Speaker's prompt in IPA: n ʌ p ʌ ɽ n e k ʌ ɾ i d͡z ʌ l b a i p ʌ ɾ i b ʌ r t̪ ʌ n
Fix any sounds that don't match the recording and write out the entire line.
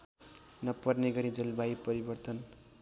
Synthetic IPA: n ʌ p ʌ r n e ɡ ʌ ɾ i d͡z ʌ l b a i p ʌ ɾ i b ʌ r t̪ ʌ n